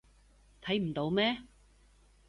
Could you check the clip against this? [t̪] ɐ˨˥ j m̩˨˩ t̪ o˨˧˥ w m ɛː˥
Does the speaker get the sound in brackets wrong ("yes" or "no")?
yes